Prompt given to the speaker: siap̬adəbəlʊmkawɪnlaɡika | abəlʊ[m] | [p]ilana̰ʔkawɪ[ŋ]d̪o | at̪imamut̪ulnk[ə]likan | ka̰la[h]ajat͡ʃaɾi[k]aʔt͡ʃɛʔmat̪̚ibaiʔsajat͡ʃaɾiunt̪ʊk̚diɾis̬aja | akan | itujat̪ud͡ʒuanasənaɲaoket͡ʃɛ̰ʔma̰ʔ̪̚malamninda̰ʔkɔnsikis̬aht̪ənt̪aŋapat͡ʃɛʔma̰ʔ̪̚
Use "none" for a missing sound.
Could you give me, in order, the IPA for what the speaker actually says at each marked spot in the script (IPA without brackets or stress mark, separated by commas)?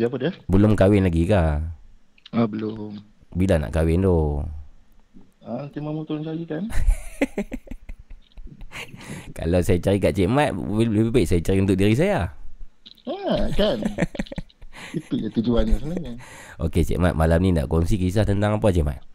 m, b, n, a, s, k